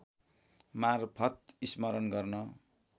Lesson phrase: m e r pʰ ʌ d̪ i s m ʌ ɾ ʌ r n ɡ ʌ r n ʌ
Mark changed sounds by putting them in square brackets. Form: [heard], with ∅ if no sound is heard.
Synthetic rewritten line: m [a] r pʰ ʌ [t̪] i s m ʌ ɾ ʌ [∅] n ɡ ʌ r n ʌ